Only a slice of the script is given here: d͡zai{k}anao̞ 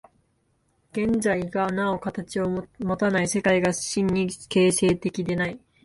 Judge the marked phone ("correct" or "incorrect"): incorrect